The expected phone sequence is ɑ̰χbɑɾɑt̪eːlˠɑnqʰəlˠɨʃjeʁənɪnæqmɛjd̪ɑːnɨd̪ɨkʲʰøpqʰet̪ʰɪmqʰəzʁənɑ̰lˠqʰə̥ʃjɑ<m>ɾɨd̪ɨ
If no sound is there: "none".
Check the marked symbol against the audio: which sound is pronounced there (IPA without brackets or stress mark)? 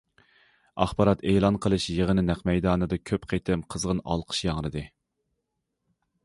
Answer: ŋ